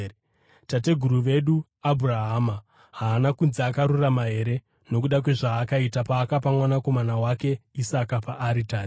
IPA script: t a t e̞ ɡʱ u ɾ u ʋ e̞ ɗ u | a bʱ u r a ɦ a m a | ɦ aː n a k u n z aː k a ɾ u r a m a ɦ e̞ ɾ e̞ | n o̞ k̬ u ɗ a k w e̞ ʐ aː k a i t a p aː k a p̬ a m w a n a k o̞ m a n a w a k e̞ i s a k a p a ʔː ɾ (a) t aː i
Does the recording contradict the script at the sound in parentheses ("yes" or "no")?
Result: yes